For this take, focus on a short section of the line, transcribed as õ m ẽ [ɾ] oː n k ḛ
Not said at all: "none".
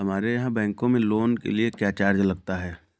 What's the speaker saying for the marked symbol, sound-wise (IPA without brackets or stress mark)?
l